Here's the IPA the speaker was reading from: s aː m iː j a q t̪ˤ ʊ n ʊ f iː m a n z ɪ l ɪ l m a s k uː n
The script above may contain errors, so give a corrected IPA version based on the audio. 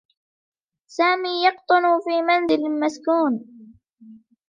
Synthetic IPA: s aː m iː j ɑ q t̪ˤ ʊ n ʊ f iː m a n z ɪ l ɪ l m a s k uː n

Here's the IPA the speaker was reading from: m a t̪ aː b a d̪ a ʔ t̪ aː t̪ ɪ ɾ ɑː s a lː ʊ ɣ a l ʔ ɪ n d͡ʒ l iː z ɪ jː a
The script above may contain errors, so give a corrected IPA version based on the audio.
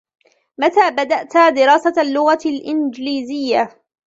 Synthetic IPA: m a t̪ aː b a d̪ a ʔ t̪ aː d̪ ɪ ɾ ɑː s a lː ʊ ɣ a l ʔ ɪ n d͡ʒ l iː z ɪ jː a

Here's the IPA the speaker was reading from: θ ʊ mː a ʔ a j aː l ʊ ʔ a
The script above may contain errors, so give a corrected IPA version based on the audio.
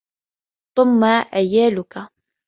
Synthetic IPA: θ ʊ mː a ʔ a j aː l ʊ k a

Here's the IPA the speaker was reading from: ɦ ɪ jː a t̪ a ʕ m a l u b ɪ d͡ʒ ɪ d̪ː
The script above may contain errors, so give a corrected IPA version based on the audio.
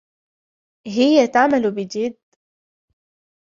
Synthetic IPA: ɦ ɪ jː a t̪ a ʕ m a l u b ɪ d͡ʒ ɪ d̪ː

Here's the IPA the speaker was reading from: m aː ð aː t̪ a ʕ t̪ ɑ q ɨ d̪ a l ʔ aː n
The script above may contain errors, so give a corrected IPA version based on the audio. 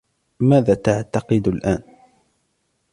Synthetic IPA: m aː ð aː t̪ a ʕ t̪ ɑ q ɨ d̪ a l ʔ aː n

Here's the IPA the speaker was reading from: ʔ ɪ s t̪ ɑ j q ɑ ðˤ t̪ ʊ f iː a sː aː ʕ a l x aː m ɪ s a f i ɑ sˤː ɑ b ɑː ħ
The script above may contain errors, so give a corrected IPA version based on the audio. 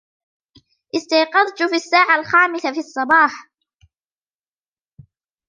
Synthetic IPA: ʔ ɪ s t̪ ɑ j q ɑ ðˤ t̪ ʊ f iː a sː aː ʕ a l x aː m ɪ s a f i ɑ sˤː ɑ b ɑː ħ

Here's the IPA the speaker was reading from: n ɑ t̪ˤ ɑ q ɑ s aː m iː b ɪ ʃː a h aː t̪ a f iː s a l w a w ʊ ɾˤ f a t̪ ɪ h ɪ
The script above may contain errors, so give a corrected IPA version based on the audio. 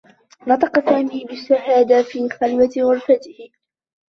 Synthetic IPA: n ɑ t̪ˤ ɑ q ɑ s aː m iː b ɪ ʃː a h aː d̪ a f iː x a l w a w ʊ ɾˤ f a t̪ ɪ h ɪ

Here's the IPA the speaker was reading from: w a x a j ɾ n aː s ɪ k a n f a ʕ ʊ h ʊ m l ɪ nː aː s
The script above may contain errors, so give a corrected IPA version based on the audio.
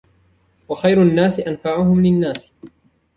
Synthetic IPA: w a x a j ɾ nː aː s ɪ ʔ a n f a ʕ ʊ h ʊ m l ɪ nː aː s

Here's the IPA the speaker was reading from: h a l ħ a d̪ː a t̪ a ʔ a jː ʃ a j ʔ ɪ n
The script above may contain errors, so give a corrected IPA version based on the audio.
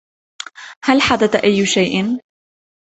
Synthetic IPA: h a l ħ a d̪ a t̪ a ʔ a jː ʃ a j ʔ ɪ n

